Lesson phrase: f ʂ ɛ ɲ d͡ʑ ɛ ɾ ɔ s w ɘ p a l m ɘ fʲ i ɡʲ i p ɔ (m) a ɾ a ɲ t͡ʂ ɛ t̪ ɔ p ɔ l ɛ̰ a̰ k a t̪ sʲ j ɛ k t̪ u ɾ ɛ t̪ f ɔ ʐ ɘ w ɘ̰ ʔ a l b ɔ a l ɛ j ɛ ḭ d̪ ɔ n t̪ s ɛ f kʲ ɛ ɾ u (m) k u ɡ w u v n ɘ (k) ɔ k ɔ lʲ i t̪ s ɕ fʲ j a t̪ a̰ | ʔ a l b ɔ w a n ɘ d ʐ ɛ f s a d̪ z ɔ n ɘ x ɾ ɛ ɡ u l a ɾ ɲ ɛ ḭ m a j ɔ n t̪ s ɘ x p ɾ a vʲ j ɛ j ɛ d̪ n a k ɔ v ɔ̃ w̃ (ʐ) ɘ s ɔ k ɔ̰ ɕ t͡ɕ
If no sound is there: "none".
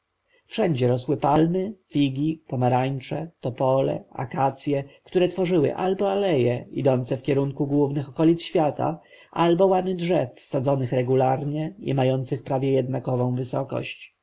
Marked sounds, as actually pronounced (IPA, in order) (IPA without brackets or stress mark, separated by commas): m, ŋ, x, v